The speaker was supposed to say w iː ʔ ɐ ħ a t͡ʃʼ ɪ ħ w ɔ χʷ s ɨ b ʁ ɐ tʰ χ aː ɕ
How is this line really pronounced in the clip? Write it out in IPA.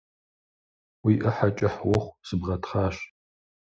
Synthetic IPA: w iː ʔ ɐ ħ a t͡ʃʼ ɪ ħ w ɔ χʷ s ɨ b ʁ ɐ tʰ χ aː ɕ

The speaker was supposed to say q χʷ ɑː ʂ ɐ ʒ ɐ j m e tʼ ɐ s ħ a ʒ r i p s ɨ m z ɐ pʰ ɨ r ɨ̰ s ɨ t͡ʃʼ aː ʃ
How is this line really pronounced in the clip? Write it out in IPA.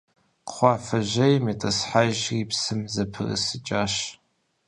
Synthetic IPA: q χʷ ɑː f ɐ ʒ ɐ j m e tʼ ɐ s ħ a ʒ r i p s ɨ m z ɐ pʰ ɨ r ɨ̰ s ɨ t͡ʃʼ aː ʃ

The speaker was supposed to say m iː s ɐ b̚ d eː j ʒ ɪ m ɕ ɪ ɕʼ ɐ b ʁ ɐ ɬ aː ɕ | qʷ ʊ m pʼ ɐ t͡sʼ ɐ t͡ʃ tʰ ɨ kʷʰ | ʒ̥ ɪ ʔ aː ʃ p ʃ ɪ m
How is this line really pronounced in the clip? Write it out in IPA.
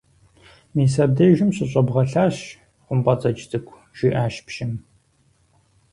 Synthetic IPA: m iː s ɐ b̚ d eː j ʒ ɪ m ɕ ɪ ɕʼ ɐ b ʁ ɐ ɬ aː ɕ | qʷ ʊ m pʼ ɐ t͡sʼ ɐ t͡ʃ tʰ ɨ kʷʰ | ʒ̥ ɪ ʔ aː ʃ p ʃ ɪ m

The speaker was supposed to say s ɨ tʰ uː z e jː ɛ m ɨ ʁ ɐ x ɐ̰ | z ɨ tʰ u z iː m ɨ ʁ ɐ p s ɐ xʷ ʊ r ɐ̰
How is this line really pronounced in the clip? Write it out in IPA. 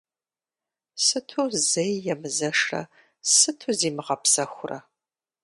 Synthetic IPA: s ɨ tʰ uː z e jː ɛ m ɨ z ɐ ʂ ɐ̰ | s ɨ tʰ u z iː m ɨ ʁ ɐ p s ɐ xʷ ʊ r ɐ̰

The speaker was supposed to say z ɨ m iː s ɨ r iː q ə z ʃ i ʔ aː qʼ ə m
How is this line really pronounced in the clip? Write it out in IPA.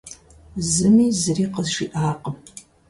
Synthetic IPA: z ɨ m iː z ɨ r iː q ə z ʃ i ʔ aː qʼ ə m

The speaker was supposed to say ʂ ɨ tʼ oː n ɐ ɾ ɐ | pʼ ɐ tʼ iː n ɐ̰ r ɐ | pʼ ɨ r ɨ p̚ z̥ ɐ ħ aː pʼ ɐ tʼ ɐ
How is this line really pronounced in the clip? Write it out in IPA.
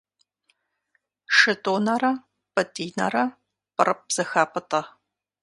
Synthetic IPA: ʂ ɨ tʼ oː n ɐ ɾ ɐ | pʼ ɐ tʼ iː n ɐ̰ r ɐ | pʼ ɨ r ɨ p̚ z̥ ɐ x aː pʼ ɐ tʼ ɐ

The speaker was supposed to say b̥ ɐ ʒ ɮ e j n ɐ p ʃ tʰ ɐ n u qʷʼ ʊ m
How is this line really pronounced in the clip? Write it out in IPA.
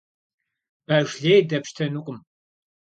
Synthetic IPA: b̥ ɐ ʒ ɮ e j d ɐ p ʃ tʰ ɐ n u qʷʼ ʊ m

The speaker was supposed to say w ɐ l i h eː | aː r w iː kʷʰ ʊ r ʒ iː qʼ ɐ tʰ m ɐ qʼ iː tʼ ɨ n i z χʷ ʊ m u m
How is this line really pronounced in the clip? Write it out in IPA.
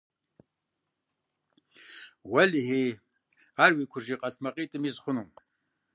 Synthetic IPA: w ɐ l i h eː | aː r w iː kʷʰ ʊ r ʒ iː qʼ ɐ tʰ m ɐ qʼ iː tʼ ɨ m i z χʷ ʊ n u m

